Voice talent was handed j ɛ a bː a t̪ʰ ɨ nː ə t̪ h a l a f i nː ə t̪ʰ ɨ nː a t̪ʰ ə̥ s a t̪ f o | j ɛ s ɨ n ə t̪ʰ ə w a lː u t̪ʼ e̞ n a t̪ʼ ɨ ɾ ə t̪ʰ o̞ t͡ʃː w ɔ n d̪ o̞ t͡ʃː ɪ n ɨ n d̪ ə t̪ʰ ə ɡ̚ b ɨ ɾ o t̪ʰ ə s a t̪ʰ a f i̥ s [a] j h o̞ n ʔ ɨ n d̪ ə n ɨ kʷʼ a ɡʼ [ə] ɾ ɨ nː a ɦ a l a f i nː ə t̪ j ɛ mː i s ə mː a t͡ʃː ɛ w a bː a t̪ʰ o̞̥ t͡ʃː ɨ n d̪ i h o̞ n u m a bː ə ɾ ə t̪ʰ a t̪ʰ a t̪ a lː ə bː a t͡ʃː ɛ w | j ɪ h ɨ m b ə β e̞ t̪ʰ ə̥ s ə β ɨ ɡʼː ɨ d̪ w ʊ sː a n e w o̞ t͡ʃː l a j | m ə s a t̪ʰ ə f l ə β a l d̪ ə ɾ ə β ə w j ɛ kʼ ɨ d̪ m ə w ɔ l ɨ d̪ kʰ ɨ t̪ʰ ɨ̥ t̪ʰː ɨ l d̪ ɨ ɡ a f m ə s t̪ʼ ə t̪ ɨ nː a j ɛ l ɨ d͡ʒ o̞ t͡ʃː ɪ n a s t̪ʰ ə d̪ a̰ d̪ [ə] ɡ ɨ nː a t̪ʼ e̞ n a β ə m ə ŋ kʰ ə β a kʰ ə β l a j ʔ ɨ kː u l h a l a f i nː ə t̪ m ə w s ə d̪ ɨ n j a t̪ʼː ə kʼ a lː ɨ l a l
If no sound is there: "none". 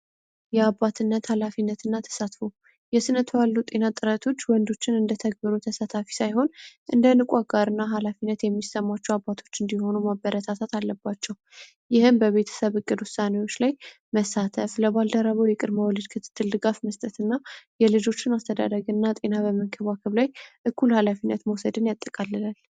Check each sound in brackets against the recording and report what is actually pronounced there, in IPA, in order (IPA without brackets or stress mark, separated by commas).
a, a, ə